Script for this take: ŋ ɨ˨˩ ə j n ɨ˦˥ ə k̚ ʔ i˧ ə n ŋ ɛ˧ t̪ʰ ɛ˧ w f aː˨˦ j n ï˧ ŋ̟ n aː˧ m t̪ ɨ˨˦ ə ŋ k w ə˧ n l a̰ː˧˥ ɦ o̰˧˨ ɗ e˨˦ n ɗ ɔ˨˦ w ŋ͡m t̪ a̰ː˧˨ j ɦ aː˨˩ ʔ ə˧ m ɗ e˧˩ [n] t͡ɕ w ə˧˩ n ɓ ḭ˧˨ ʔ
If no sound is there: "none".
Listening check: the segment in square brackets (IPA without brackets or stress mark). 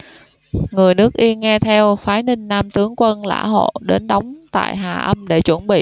none